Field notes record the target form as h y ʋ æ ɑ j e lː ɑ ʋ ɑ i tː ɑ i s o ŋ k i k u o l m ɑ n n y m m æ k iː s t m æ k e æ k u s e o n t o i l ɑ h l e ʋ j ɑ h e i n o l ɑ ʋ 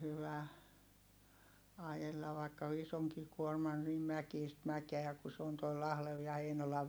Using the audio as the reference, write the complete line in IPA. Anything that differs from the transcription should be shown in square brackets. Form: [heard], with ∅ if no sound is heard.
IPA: h y ʋ æ ɑ j e lː ɑ ʋ ɑ i [kː] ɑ i s o ŋ k i k u o [r] m ɑ n n [i] m m æ k iː s t m æ k e æ k u s e o n t o i l ɑ h l e ʋ j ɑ h e i n o l ɑ ʋ